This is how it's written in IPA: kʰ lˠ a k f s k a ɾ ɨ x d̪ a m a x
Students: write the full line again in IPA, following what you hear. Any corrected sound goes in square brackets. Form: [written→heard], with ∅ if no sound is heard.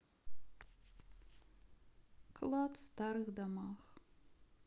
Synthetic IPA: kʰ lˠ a [k→t] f s [k→t] a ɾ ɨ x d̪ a m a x

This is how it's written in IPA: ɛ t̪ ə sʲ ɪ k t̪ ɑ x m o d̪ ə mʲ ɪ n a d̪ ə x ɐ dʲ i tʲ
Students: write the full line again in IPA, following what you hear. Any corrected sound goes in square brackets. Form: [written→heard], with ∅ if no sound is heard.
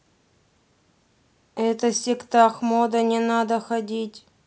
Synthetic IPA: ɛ t̪ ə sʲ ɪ k t̪ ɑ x m o d̪ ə [mʲ→nʲ] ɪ n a d̪ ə x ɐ dʲ i tʲ

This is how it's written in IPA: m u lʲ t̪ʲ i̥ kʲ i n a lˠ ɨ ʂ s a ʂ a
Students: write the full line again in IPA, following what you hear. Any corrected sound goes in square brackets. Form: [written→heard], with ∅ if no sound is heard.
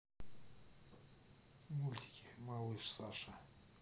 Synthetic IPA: m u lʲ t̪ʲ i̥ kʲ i [n→m] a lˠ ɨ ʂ s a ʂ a

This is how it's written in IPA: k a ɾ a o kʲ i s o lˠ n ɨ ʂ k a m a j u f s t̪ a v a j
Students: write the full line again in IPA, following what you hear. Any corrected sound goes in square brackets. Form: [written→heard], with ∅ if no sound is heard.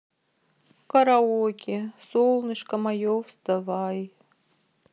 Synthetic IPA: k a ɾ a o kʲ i s o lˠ n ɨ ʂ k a m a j [u→o] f s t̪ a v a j

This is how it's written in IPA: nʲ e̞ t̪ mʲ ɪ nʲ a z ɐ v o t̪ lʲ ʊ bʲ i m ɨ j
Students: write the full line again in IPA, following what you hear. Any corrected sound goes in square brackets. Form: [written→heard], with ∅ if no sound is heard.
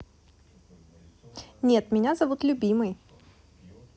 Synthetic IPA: nʲ e̞ t̪ mʲ ɪ nʲ a z ɐ v [o→u] t̪ lʲ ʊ bʲ i m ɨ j

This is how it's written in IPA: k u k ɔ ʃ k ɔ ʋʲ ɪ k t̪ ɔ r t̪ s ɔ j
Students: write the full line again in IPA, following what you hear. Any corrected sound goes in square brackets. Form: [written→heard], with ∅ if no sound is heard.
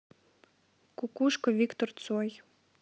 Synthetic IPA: k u k [ɔ→u] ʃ k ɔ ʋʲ [ɪ→i] k t̪ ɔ r t̪ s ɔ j

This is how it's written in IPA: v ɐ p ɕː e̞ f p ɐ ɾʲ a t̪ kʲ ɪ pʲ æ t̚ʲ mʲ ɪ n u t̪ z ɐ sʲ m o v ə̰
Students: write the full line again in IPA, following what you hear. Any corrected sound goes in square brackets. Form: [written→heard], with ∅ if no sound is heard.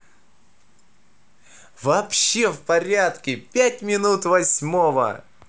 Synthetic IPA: v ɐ p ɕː e̞ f p ɐ ɾʲ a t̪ kʲ ɪ pʲ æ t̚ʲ mʲ ɪ n u t̪ [z→v] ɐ sʲ m o v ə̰

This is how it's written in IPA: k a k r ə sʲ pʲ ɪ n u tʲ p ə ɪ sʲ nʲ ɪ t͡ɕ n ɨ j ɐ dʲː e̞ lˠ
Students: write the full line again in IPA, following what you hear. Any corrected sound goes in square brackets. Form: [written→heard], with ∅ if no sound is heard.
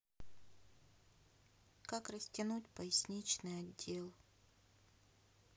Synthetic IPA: k a k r ə sʲ [pʲ→tʲ] ɪ n u tʲ p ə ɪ sʲ nʲ [ɪ→i] t͡ɕ n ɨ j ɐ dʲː e̞ lˠ

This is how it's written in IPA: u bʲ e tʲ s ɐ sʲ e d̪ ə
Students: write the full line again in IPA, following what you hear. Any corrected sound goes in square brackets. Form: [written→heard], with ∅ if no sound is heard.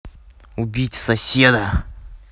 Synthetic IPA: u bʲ [e→i] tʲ s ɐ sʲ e d̪ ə

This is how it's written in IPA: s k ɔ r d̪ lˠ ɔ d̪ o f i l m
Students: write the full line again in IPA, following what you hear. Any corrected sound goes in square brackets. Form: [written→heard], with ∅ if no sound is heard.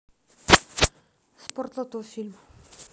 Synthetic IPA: s [k→p] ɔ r [d̪→t̪] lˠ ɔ [d̪→t̪] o f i l m

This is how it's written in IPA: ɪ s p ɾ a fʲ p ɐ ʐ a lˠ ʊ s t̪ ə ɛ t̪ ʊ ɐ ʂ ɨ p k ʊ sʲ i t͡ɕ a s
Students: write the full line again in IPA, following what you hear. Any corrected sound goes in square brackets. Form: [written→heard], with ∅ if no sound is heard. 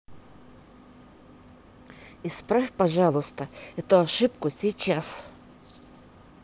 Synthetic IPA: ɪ s p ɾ a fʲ p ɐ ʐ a lˠ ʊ s t̪ ə ɛ t̪ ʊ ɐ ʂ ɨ p k ʊ sʲ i t͡ɕ a s

